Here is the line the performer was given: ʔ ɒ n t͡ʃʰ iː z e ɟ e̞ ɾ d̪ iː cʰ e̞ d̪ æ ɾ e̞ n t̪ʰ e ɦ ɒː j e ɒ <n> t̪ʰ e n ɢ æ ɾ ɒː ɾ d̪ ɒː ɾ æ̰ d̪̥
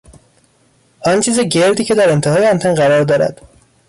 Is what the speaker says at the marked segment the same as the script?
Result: yes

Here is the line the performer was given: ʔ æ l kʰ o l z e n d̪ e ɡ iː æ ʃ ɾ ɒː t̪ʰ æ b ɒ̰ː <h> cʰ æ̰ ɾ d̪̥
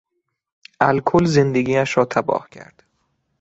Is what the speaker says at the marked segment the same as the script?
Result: yes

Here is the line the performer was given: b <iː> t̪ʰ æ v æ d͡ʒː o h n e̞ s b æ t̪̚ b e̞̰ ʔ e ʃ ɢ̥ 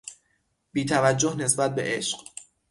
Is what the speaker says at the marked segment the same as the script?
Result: yes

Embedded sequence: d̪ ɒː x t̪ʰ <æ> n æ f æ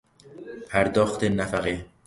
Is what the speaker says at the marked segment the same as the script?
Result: no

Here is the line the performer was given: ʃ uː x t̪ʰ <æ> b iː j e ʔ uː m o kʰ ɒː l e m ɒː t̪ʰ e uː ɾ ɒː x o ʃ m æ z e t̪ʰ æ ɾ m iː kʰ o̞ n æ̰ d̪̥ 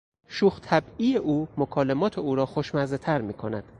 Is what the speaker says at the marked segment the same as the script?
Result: yes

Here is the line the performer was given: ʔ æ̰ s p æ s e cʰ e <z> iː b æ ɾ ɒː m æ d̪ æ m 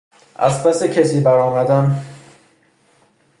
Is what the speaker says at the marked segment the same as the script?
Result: no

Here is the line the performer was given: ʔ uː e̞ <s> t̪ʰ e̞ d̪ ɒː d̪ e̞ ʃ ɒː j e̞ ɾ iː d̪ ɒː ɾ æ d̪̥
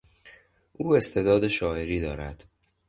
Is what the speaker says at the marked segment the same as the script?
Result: yes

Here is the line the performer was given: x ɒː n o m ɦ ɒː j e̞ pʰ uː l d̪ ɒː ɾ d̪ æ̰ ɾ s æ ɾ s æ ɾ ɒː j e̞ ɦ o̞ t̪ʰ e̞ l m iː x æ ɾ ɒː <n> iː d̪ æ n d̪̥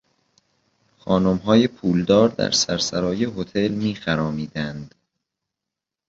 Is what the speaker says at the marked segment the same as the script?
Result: no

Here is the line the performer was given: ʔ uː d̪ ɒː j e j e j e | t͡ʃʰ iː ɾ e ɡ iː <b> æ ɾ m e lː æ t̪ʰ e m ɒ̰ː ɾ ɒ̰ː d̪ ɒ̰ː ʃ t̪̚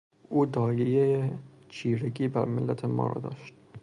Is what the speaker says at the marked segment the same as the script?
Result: yes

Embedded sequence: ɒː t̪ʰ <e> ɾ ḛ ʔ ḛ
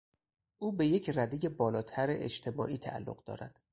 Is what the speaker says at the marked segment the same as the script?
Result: no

